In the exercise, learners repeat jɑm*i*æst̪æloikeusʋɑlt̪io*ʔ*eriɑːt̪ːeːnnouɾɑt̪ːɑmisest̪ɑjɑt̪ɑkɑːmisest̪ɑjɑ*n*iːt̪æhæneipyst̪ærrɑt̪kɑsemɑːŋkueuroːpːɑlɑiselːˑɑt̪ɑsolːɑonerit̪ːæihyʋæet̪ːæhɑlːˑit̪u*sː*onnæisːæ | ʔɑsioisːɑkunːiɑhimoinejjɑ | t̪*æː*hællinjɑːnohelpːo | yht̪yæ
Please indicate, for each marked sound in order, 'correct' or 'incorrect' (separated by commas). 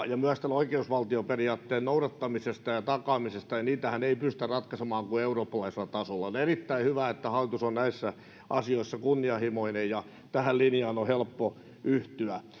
incorrect, incorrect, correct, incorrect, incorrect